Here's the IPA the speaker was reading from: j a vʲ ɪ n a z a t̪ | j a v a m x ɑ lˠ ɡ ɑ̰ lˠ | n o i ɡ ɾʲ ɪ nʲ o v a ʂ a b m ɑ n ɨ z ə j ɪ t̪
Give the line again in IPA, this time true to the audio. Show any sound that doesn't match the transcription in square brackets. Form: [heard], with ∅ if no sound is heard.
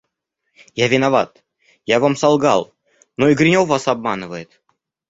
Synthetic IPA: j a vʲ ɪ n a [v] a t̪ | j a v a m [s] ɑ lˠ ɡ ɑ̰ lˠ | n o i ɡ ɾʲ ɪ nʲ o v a [s] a b m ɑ n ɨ [v] ə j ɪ t̪